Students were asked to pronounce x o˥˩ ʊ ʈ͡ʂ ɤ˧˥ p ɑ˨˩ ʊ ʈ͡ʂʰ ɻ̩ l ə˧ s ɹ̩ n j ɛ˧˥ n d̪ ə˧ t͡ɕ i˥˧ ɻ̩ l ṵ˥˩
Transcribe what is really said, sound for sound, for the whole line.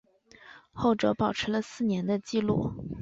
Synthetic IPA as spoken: x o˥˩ ʊ ʈ͡ʂ ɤ˧˥ p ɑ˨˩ ʊ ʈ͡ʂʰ ɻ̩ l ə˧ s ɹ̩ n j ɛ˧˥ n d̪ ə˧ t͡ɕ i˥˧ l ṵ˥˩